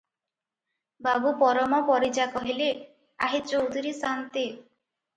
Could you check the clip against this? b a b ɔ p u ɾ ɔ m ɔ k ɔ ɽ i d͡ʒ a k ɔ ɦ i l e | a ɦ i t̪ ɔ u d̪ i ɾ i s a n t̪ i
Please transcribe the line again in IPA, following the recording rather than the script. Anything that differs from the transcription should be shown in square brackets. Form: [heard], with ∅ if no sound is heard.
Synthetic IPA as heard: b a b [u] p [ɔ] ɾ ɔ m ɔ [p] ɔ [ɾ] i d͡ʒ a k ɔ ɦ i l e | a ɦ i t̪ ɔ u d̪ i ɾ i s a n t̪ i